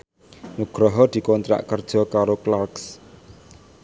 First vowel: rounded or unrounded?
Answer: rounded